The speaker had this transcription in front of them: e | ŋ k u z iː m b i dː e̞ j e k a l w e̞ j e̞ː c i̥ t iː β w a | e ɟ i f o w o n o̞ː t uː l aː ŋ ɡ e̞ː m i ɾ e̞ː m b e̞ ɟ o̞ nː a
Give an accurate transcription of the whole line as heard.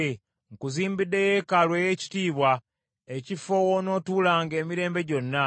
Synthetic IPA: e | ŋ k u z iː m b i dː e̞ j e k a l w e̞ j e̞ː c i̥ t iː β w a | e c i f o w o n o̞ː t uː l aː ŋ ɡ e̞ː m i ɾ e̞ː m b e̞ ɟ o̞ nː a